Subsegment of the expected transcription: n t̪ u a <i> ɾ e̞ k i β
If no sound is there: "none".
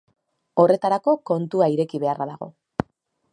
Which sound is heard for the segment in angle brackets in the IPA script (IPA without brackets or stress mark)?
i